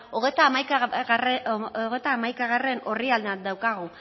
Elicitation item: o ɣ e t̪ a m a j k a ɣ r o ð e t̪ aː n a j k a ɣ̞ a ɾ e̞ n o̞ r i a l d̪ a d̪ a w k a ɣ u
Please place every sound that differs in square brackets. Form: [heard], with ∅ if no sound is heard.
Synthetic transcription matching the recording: o ɣ e t̪ a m a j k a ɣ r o [ɣ] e t̪ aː [m] a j k a ɣ̞ a [r] e̞ n o̞ r i a l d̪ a d̪ a w k a ɣ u